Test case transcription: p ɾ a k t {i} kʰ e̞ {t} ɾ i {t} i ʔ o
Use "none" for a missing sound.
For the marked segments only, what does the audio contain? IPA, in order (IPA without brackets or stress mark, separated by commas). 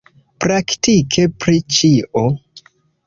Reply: i, p, t͡ʃ